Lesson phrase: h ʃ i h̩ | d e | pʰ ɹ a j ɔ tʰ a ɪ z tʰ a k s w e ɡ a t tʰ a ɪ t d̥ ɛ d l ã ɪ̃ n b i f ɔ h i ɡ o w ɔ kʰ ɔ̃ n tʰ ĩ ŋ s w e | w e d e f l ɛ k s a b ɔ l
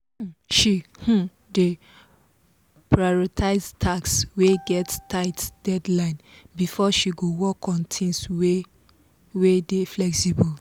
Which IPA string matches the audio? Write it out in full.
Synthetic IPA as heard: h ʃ i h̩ | d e | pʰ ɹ a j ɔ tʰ a ɪ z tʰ a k s w e ɡ ɛ t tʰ a ɪ t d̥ ɛ d l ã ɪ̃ n b i f ɔ ʃ i ɡ o w ɔ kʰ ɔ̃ n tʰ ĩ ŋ s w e | w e d e f l ɛ k s i b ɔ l